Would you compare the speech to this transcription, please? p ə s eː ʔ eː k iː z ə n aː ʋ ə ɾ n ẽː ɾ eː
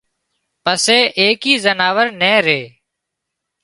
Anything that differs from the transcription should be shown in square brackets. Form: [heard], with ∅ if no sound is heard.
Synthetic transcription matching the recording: p ə s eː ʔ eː k iː z ə n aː ʋ ə ɾ n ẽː ɾ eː